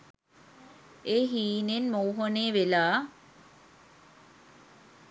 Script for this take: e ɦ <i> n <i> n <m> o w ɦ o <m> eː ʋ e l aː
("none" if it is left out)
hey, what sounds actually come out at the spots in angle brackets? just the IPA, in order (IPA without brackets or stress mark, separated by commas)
iː, e, m, n